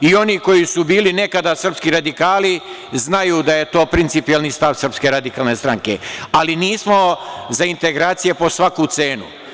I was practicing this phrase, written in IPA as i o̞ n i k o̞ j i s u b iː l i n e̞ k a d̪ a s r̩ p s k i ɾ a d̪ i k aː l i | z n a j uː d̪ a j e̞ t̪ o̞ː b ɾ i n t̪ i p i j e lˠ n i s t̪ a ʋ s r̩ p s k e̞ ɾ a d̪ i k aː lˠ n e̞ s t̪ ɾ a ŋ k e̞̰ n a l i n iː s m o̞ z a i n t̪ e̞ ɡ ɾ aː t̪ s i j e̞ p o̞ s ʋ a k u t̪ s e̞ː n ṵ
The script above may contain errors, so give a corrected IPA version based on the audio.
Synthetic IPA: i o̞ n i k o̞ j i s u b iː l i n e̞ k a d̪ a s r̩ p s k i ɾ a d̪ i k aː l i | z n a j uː d̪ a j e̞ t̪ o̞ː p ɾ i n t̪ i p i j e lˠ n i s t̪ a ʋ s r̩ p s k e̞ ɾ a d̪ i k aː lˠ n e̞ s t̪ ɾ a ŋ k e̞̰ a l i n iː s m o̞ z a i n t̪ e̞ ɡ ɾ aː t̪ s i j e̞ p o̞ s ʋ a k u t̪ s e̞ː n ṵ